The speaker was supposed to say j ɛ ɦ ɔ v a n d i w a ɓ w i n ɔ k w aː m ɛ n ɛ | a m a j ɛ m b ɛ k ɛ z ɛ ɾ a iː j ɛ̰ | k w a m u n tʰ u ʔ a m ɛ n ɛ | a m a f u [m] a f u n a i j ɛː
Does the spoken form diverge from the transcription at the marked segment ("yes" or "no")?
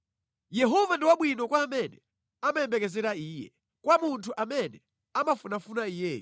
yes